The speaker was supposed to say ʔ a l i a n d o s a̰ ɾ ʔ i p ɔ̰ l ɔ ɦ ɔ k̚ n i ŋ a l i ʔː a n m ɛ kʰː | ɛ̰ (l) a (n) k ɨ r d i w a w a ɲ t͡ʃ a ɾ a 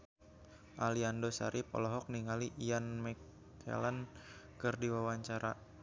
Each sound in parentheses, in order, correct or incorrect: correct, correct

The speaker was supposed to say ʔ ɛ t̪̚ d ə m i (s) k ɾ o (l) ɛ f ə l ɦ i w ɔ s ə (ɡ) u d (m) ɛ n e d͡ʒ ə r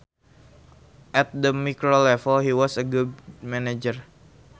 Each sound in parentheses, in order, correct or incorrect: incorrect: none, correct, correct, correct

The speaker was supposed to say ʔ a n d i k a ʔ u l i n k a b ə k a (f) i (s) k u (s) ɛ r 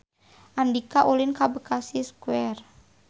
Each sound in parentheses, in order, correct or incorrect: incorrect: s, correct, incorrect: none

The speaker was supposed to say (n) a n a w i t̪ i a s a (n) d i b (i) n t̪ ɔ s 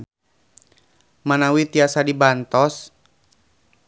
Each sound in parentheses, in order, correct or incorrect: incorrect: m, incorrect: none, incorrect: a

